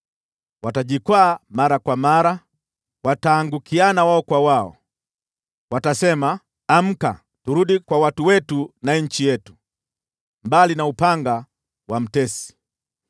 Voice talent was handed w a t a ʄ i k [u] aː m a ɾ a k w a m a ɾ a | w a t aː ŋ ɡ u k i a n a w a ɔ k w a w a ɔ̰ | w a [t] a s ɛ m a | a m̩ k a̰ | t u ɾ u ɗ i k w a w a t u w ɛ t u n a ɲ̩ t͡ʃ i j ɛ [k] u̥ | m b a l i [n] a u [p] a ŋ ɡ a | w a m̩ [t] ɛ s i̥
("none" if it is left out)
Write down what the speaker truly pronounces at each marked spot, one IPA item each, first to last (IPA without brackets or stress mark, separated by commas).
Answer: w, t, t, n, p, t